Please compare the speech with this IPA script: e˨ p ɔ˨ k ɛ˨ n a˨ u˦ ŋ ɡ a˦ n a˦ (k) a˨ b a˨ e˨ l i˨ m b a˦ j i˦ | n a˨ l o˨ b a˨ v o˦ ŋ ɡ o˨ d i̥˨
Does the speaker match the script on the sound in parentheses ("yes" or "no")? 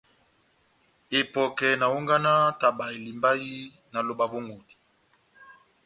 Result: no